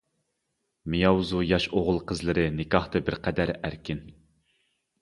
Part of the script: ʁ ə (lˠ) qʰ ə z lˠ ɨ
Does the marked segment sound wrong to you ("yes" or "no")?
no